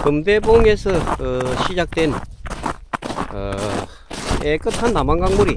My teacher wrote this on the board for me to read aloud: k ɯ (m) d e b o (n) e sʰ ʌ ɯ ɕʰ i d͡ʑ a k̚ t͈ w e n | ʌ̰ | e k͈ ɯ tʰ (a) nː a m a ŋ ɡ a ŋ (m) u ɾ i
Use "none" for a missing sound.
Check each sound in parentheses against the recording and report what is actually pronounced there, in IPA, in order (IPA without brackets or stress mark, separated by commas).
m, ŋ, a, m